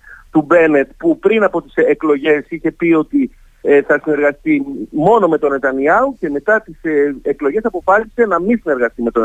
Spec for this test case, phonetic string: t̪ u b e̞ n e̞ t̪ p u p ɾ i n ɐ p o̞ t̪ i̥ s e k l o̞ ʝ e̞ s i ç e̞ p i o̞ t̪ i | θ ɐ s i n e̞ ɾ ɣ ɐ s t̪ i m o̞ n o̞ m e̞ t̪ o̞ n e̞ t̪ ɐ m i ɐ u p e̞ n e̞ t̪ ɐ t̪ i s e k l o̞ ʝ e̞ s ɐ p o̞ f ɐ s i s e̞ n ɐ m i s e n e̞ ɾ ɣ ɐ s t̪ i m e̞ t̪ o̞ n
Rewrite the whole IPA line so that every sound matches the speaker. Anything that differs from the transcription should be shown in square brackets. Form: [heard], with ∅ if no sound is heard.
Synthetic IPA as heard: t̪ u b e̞ n e̞ t̪ p u p ɾ i n ɐ p o̞ t̪ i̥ s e k l o̞ ʝ e̞ s i ç e̞ p i o̞ t̪ i | θ ɐ s i n e̞ ɾ ɣ ɐ s t̪ i m o̞ n o̞ m e̞ t̪ o̞ n e̞ t̪ ɐ [n] i ɐ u [c] e̞ [m] e̞ t̪ ɐ t̪ i s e k l o̞ ʝ e̞ s ɐ p o̞ f ɐ s i s e̞ n ɐ m i s [i] n e̞ ɾ ɣ ɐ s t̪ i m e̞ t̪ o̞ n